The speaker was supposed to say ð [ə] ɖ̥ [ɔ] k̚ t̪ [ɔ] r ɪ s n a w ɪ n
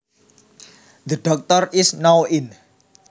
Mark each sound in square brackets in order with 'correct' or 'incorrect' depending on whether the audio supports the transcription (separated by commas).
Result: correct, correct, correct